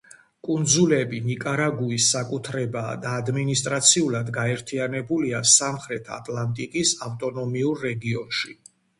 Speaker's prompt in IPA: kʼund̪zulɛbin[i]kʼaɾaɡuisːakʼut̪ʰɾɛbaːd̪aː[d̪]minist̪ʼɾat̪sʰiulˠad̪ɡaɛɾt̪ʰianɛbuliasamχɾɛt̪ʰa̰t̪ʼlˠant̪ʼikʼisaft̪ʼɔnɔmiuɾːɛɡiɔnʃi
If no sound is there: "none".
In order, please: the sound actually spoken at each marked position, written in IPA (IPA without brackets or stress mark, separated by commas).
i, d̪